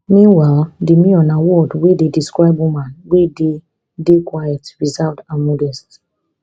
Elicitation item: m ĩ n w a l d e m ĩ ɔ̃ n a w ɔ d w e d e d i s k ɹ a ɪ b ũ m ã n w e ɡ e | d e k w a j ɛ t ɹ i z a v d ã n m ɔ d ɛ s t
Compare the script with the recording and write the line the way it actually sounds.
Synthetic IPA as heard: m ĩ n w a l d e m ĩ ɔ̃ n a w ɔ d w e d e d i s k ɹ a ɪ b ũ m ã n w e d e | d e k w a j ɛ t ɹ i z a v d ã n m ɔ d ɛ s t